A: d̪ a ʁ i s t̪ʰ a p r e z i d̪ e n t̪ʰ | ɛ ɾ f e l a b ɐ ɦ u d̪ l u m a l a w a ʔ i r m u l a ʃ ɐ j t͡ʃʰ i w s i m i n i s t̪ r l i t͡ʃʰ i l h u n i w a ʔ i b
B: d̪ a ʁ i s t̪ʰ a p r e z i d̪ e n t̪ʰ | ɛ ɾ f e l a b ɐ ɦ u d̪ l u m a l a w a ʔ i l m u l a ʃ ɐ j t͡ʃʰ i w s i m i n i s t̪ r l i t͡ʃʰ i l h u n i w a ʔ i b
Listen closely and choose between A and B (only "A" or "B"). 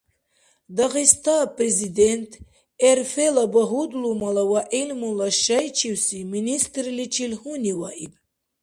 B